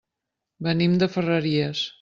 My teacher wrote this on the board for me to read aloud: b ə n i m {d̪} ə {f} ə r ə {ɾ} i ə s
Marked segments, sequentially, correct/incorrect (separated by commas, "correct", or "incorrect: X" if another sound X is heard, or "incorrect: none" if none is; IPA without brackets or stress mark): correct, correct, correct